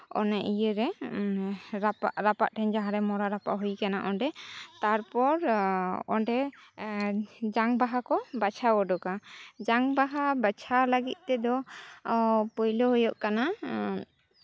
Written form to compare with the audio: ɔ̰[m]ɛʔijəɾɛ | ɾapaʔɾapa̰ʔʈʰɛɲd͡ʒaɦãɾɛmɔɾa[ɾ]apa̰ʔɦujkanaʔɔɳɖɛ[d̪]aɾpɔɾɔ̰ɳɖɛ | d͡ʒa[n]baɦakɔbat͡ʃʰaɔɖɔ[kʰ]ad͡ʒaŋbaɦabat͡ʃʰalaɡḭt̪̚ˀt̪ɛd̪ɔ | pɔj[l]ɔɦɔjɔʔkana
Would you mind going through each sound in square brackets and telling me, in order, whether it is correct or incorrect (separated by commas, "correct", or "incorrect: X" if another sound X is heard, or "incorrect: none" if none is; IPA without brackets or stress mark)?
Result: incorrect: n, correct, incorrect: t̪, incorrect: ŋ, incorrect: k, correct